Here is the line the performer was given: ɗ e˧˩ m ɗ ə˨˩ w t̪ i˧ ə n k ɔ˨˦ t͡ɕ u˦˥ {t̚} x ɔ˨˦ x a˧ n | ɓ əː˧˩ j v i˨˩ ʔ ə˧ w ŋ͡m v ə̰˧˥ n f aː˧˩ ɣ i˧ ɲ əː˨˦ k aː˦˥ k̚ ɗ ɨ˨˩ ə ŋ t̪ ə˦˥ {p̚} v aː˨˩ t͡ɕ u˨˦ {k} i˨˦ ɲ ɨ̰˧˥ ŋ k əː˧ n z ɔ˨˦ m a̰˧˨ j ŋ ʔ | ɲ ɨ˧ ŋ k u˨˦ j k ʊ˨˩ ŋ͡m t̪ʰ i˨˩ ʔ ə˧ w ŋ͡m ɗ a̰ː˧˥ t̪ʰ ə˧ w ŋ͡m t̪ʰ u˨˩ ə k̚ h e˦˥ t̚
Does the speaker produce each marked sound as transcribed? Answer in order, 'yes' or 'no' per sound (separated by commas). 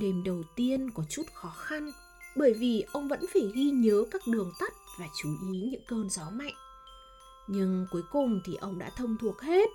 yes, no, no